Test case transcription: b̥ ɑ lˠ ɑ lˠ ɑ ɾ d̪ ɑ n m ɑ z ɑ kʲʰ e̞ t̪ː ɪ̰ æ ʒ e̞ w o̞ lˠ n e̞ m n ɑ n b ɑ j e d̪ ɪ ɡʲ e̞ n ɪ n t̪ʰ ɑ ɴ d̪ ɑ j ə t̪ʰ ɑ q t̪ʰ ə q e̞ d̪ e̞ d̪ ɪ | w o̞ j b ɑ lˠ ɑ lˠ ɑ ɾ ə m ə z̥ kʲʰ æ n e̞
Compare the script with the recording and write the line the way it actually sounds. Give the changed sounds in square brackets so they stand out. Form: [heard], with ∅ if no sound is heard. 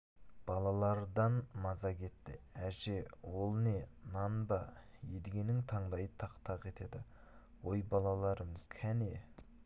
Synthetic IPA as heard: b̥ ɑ lˠ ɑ lˠ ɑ ɾ d̪ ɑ n m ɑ z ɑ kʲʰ e̞ t̪ː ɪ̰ æ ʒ e̞ w o̞ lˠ n e̞ [∅] n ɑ n b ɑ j e d̪ ɪ ɡʲ e̞ n ɪ [ŋ] t̪ʰ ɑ ɴ d̪ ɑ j ə t̪ʰ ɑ q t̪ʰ [ɑ] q e̞ [t̪] e̞ d̪ ɪ | w o̞ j b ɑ lˠ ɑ lˠ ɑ ɾ ə m ə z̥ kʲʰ æ n e̞